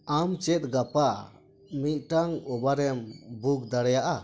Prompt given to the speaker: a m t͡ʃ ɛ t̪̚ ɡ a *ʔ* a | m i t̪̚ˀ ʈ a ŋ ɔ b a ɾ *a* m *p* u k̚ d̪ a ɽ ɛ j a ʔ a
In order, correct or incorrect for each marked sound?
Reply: incorrect, incorrect, incorrect

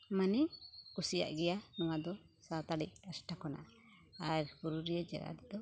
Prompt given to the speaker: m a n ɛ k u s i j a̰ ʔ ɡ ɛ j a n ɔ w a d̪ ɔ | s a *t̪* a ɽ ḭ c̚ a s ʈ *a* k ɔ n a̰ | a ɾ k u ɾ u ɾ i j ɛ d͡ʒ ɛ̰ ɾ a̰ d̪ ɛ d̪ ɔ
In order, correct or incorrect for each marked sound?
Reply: correct, correct

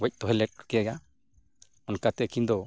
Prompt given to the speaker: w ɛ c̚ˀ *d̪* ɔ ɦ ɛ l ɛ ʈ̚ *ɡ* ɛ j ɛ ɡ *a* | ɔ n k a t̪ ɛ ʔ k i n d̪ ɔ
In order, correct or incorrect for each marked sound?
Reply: incorrect, incorrect, correct

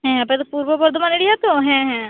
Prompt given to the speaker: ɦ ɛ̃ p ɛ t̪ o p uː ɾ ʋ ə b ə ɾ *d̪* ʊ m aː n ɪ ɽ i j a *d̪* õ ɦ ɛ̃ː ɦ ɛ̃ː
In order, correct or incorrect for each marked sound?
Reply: correct, incorrect

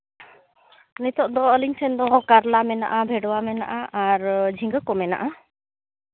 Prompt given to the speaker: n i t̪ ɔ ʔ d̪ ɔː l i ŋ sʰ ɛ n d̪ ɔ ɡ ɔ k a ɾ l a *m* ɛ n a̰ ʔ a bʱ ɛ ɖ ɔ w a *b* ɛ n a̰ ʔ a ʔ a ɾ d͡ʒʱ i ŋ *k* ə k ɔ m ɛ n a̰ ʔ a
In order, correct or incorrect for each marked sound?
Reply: correct, incorrect, incorrect

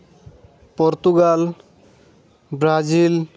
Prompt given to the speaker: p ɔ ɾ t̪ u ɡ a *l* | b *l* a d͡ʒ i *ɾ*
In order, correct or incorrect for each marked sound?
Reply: correct, incorrect, incorrect

